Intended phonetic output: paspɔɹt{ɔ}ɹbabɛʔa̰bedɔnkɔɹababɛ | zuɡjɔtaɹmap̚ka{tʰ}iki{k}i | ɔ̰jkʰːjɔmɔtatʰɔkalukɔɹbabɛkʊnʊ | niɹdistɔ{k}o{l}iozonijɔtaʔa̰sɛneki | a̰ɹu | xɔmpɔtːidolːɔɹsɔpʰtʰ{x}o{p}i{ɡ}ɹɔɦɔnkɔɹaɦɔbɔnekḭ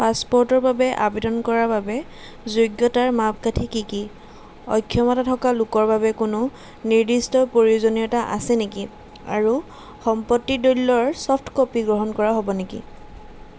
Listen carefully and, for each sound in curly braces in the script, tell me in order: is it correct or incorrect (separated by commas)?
correct, correct, correct, incorrect, incorrect, incorrect, correct, correct